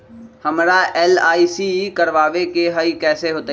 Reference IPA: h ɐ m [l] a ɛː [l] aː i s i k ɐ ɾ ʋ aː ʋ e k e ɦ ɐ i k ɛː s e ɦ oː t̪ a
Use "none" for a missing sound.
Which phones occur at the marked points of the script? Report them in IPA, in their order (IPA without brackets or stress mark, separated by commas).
ɾ, l